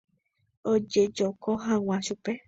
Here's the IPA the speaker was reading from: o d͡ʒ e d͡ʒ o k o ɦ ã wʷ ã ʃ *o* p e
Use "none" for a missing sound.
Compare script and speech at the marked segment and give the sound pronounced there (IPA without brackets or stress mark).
u